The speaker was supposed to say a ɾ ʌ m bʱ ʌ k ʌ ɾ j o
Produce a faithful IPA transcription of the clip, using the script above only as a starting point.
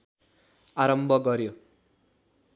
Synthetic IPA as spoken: a ɾ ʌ m bʱ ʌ ɡ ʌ ɾ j o